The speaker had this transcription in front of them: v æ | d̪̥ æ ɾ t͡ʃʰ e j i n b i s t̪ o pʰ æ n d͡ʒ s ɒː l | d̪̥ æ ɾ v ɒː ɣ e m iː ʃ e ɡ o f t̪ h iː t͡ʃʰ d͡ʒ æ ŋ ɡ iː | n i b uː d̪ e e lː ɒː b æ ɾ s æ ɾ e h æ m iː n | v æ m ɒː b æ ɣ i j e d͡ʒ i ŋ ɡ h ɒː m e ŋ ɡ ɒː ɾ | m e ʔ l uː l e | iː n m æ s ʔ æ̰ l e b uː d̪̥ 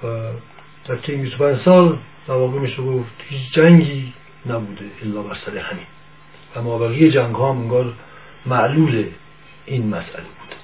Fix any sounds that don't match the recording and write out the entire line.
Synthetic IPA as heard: v æ | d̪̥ æ ɾ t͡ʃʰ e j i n b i s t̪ o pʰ æ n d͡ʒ s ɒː l | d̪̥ æ ɾ v ɒː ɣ e m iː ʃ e ɡ o f t̪ h iː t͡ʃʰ d͡ʒ æ ŋ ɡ iː | n æ b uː d̪ e e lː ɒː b æ ɾ s æ ɾ e h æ m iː n | v æ m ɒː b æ ɣ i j e d͡ʒ æ ŋ ɡ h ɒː m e ŋ ɡ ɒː ɾ | m æ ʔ l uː l e | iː n m æ s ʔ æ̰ l e b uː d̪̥